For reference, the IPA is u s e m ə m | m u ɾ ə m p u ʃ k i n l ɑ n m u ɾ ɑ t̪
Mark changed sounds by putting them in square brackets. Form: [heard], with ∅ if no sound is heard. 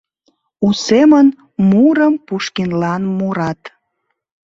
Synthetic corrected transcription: u s e m ə [n] | m u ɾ ə m p u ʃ k i n l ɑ n m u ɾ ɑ t̪